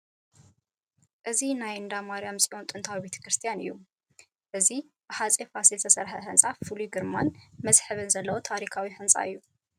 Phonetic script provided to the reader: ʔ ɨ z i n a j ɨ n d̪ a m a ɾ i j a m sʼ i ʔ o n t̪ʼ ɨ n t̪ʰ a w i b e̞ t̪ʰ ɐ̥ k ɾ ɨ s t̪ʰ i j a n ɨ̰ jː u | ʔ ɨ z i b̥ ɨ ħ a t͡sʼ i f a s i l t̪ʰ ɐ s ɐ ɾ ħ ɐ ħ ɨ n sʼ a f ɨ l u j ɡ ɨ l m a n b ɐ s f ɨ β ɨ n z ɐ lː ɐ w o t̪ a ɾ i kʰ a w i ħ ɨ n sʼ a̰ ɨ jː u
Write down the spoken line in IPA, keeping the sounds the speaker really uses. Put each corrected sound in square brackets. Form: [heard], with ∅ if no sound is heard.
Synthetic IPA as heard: ʔ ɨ z i n a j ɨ n d̪ a m a ɾ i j a m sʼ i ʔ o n t̪ʼ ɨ n t̪ʰ a w i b e̞ t̪ʰ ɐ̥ k ɾ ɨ s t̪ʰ i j a n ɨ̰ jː u | ʔ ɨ z i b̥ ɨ ħ a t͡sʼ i f a s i l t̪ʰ ɐ s ɐ ɾ ħ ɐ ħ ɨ n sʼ a f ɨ l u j ɡ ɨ [ɾ] m a n [m] ɐ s [ħ] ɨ β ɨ n z ɐ lː ɐ w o [t̪ʰ] a ɾ i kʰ a w i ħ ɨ n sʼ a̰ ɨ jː u